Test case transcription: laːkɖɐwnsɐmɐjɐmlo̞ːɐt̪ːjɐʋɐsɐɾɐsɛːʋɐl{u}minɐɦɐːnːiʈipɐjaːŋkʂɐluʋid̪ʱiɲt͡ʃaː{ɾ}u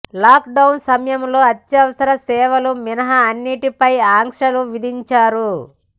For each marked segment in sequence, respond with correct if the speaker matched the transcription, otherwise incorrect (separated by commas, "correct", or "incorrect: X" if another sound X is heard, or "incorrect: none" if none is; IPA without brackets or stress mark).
correct, correct